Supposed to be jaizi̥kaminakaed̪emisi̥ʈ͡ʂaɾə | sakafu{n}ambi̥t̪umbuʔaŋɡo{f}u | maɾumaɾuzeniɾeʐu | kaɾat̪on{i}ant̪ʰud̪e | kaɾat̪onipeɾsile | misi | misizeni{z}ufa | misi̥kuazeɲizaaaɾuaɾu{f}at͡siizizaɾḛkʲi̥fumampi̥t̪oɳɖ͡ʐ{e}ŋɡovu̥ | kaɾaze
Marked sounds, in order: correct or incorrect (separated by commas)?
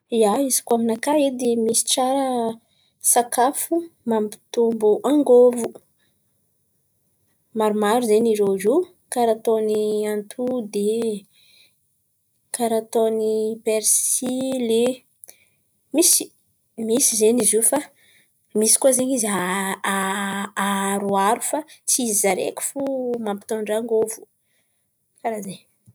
incorrect, incorrect, correct, correct, correct, incorrect